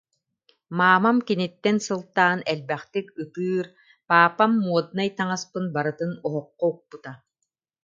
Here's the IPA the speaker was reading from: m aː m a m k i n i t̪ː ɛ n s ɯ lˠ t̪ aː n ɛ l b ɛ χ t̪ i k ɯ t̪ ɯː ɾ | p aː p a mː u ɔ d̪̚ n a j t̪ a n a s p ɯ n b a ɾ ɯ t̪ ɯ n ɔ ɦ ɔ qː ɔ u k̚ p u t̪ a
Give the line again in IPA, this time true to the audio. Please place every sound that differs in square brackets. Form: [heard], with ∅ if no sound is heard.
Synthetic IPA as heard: m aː m a m k i n i t̪ː ɛ n s ɯ lˠ t̪ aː n ɛ l b ɛ χ t̪ i k ɯ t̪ ɯː ɾ | p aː p a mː u ɔ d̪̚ n a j t̪ a [ŋ] a s p ɯ n b a ɾ ɯ t̪ ɯ n ɔ ɦ ɔ qː ɔ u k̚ p u t̪ a

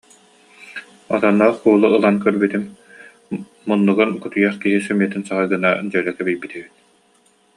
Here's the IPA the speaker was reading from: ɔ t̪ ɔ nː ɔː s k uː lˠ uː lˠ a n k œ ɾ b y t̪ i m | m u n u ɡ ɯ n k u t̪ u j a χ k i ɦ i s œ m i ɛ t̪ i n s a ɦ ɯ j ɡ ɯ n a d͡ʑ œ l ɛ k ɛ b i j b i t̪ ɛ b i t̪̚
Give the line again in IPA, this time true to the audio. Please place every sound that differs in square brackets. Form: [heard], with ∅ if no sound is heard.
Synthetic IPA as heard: ɔ t̪ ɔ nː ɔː [χ] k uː lˠ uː lˠ a n k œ ɾ b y t̪ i m | m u [nː] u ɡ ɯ n k u t̪ u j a χ k i ɦ i s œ m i ɛ t̪ i n s a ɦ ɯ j ɡ ɯ n a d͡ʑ œ l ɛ k ɛ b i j b i t̪ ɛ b i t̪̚

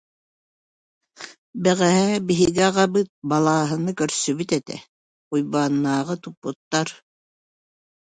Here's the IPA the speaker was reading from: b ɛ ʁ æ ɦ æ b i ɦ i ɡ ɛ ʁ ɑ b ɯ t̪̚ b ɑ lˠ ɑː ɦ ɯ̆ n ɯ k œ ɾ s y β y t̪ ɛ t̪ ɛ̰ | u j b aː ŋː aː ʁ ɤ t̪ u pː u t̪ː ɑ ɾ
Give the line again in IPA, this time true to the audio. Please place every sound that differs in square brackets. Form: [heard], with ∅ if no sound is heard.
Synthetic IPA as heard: b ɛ ʁ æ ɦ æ b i ɦ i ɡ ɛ ʁ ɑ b ɯ t̪̚ b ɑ lˠ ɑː ɦ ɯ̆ n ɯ k œ ɾ s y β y t̪ ɛ t̪ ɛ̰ | u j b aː [nː] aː ʁ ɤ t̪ u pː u t̪ː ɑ ɾ

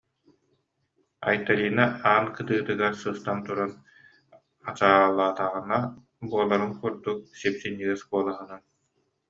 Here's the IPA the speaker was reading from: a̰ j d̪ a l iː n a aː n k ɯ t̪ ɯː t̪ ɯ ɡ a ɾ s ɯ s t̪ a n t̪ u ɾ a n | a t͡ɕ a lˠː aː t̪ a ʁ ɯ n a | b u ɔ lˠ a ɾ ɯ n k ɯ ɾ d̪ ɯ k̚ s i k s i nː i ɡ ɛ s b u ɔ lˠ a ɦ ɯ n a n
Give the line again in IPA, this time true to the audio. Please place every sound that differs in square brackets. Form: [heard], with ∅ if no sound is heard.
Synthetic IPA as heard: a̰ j [t̪] a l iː n a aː n k ɯ t̪ ɯː t̪ ɯ ɡ a ɾ s ɯ s t̪ a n t̪ u ɾ a n | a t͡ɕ a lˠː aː t̪ a ʁ ɯ n a | b u ɔ lˠ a ɾ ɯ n k [u] ɾ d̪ [u] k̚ s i [p] s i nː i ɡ ɛ s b u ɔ lˠ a ɦ ɯ n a n

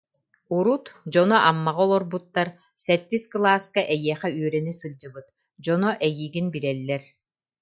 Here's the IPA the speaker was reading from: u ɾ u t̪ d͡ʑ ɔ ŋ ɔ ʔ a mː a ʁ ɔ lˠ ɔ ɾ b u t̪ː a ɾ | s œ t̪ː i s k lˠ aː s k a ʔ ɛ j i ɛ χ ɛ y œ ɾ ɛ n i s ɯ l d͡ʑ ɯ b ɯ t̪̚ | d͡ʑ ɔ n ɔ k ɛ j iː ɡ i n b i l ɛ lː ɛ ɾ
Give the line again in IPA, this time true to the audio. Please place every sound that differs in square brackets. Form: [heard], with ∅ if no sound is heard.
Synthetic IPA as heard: u ɾ u t̪ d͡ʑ ɔ [n] ɔ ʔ a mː a ʁ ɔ lˠ ɔ ɾ b u t̪ː a ɾ | s [ɛ] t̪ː i s k lˠ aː s k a ʔ ɛ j i ɛ χ ɛ y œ ɾ ɛ n i s ɯ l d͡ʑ ɯ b ɯ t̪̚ | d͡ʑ ɔ n ɔ [ʔ] ɛ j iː ɡ i n b i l ɛ lː ɛ ɾ

